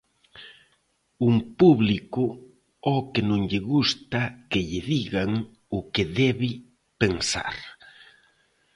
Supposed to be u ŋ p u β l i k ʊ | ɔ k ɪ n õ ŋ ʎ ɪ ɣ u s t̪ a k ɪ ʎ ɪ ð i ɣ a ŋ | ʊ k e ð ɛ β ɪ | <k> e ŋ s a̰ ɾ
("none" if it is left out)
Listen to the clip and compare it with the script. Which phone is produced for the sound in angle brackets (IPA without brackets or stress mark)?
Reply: p